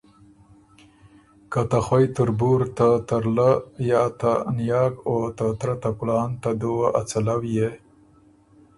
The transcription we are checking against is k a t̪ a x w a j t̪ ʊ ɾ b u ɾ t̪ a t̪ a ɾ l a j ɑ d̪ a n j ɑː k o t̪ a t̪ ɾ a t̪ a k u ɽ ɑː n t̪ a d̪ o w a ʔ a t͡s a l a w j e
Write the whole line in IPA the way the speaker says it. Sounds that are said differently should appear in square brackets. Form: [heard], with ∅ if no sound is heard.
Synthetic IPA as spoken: k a t̪ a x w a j t̪ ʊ ɾ b u ɾ t̪ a t̪ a ɾ l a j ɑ [t̪] a n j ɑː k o t̪ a t̪ ɾ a t̪ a k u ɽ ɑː n t̪ a d̪ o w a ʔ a t͡s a l a w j e